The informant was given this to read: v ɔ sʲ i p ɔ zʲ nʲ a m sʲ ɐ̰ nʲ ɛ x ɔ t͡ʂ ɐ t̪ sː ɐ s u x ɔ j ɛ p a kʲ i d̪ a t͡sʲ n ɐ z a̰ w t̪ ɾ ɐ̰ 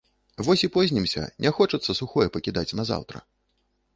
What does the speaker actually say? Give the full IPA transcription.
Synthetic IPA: v ɔ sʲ i p ɔ zʲ nʲ i m sʲ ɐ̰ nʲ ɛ x ɔ t͡ʂ ɐ t̪ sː ɐ s u x ɔ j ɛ p ɐ kʲ i d̪ a t͡sʲ n ɐ z a̰ w t̪ ɾ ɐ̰